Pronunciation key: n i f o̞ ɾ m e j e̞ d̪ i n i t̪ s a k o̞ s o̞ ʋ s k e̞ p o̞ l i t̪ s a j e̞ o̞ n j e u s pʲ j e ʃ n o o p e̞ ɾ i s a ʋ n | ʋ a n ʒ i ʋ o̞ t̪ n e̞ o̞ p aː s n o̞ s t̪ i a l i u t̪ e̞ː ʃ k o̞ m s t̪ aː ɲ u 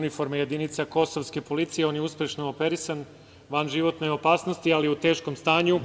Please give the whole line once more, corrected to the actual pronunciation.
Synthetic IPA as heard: n i f o̞ ɾ m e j e̞ d̪ i n i t̪ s a k o̞ s o̞ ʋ s k e̞ p o̞ l i t̪ s i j e̞ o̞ n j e u s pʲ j e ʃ n o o p e̞ ɾ i s a n | ʋ a n ʒ i ʋ o̞ t̪ n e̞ o̞ p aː s n o̞ s t̪ i a l i u t̪ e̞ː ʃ k o̞ m s t̪ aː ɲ u